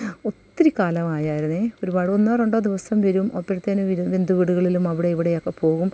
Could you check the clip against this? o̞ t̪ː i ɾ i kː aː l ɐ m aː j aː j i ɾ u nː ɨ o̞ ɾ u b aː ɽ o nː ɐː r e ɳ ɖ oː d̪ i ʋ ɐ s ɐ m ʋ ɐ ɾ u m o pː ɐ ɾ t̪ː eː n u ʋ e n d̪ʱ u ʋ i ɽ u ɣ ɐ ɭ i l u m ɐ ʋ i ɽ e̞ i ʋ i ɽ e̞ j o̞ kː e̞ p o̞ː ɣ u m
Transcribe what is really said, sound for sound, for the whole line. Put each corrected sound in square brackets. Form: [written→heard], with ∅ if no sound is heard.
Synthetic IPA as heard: o̞ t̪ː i ɾ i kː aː l ɐ m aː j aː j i ɾ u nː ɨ o̞ ɾ u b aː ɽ o nː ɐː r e ɳ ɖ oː d̪ i ʋ ɐ s ɐ m ʋ ɐ ɾ u m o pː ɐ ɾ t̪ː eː n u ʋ e n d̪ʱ u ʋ i ɽ u ɣ ɐ ɭ i l u m ɐ ʋ i ɽ e̞ i ʋ i ɽ e̞ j o̞ kː e̞ p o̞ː ɣ u m